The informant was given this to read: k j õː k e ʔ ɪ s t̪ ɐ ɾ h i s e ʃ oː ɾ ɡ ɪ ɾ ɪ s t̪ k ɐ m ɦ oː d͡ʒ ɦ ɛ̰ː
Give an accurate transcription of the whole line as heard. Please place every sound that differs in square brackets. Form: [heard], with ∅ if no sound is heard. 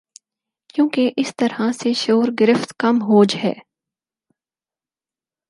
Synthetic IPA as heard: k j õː k e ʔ ɪ s t̪ ɐ ɾ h [a] s e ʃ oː ɾ ɡ ɪ ɾ ɪ [f] t̪ k ɐ m ɦ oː d͡ʒ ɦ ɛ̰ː